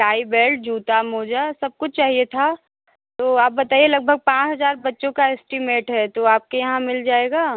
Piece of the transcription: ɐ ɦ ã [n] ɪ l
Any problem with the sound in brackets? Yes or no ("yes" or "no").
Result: yes